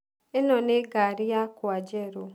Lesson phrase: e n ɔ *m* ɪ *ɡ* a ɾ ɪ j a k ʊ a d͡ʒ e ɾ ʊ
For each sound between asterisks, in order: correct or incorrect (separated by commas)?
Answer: incorrect, correct